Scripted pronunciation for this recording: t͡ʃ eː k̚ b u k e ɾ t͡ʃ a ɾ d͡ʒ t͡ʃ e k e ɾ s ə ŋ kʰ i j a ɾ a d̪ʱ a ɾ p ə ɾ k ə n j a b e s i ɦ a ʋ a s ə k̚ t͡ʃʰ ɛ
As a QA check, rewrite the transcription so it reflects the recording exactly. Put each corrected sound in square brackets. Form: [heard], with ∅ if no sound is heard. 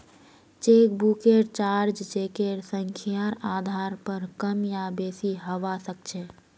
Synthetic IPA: t͡ʃ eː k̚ b u k e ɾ t͡ʃ a ɾ d͡ʒ t͡ʃ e k e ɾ s ə ŋ kʰ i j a ɾ a d̪ʱ a ɾ p ə ɾ k ə [m] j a b e s i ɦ [ə] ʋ a s ə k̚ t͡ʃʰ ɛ